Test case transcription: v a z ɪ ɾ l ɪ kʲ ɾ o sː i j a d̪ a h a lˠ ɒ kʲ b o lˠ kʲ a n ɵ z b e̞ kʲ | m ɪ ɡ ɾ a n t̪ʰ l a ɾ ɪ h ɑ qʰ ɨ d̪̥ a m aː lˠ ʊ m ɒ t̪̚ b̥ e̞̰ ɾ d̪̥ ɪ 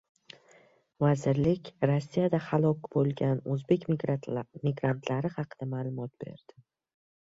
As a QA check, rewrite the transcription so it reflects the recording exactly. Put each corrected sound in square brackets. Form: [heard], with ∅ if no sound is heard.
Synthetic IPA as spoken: v a z ɪ ɾ l ɪ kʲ ɾ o sː i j a d̪ a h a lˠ ɒ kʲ b o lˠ [ɡʲ] a n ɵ z b e̞ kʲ | m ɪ ɡ ɾ a n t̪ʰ l a ɾ ɪ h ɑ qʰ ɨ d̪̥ a m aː lˠ ʊ m ɒ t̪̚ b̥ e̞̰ ɾ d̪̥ ɪ